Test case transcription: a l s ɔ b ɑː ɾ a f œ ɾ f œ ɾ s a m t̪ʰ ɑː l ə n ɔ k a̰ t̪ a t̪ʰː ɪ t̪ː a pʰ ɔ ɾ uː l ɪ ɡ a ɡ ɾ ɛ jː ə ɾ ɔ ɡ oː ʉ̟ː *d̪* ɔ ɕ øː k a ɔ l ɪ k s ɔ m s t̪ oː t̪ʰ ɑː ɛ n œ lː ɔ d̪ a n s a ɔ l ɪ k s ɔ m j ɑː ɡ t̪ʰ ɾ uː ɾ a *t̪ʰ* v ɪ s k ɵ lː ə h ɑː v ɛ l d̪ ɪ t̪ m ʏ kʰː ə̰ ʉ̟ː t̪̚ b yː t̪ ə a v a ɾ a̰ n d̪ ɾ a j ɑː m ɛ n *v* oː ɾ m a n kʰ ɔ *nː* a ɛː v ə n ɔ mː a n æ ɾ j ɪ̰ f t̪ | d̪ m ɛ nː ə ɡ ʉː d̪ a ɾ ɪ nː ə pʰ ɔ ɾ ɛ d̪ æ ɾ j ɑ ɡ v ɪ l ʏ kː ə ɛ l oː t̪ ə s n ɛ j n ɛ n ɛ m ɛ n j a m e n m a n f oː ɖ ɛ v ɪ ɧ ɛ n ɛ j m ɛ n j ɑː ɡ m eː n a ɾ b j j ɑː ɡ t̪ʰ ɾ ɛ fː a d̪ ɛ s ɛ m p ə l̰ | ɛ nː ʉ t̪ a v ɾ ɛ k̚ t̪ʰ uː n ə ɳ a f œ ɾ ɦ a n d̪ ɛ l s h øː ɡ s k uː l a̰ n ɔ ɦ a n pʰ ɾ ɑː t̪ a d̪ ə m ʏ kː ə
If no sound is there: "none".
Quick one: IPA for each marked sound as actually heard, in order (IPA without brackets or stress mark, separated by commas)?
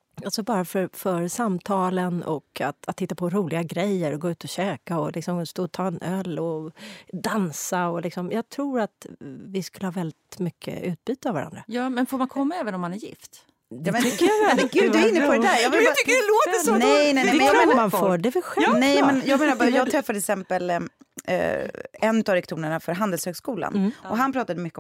t̪, t̪, f, mː